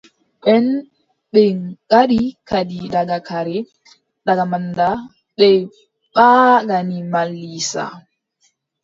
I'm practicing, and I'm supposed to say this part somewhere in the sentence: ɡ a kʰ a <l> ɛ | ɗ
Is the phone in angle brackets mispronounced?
yes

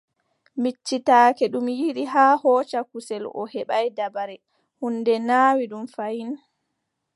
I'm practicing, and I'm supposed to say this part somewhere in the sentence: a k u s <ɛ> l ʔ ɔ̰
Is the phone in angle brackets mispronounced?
no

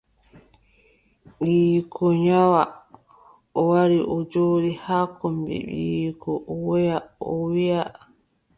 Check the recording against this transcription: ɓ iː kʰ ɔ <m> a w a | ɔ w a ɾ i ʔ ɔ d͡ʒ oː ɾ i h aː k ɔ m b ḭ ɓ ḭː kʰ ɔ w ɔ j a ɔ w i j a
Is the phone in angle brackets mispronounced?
yes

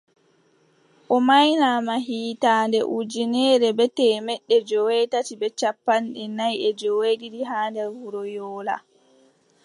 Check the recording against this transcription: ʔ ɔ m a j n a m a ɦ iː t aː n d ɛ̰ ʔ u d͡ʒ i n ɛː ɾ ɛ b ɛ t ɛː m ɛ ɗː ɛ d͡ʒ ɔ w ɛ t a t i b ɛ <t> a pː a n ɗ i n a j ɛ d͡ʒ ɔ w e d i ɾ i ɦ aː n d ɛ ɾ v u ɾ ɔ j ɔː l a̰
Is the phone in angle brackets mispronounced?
yes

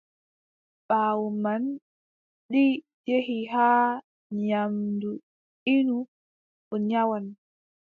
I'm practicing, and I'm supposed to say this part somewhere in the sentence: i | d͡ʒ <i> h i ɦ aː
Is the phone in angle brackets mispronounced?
yes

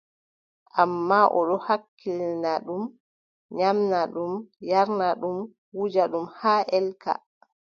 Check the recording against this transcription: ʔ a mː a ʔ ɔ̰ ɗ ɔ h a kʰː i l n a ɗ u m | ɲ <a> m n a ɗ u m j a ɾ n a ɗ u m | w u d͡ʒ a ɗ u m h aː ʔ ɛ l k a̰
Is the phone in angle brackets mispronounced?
no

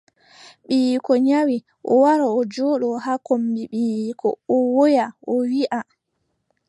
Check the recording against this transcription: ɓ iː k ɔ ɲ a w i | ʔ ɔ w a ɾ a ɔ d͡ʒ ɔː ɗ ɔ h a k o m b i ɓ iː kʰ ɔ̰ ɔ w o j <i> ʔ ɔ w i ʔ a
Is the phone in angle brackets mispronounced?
yes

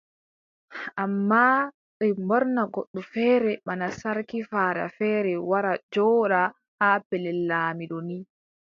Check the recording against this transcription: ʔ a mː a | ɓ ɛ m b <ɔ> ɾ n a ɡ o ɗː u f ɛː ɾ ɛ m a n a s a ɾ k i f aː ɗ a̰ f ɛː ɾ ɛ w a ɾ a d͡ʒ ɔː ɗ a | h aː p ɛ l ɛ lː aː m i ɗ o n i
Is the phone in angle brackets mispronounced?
no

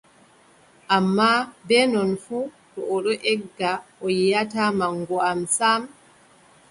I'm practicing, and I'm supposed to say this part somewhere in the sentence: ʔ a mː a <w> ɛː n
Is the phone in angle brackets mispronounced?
yes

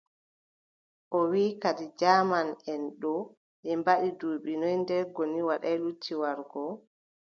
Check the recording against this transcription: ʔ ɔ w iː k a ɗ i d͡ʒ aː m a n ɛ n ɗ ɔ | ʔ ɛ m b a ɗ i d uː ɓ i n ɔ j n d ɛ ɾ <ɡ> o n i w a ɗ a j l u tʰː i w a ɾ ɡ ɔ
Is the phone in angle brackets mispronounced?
no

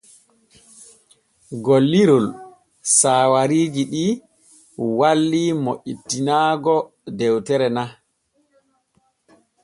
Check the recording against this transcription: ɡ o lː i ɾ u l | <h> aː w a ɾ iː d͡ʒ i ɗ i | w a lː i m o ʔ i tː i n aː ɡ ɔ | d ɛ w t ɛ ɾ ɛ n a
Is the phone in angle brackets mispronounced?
yes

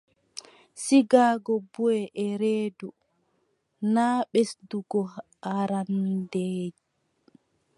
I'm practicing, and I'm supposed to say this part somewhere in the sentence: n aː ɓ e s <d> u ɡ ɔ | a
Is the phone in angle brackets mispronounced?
no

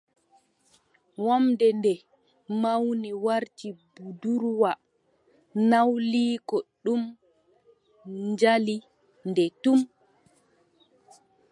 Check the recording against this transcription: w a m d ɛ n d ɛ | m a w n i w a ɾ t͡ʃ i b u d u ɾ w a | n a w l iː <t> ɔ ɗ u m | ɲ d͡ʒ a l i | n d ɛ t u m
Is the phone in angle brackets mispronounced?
yes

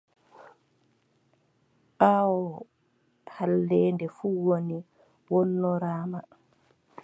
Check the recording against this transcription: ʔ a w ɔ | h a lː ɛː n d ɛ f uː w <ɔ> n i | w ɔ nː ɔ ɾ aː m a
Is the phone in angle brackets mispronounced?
yes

